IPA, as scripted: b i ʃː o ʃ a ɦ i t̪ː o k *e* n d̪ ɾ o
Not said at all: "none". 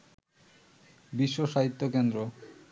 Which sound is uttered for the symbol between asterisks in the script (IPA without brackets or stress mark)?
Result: e